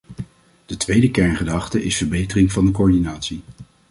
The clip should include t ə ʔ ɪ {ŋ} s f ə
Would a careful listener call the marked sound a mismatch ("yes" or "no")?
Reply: yes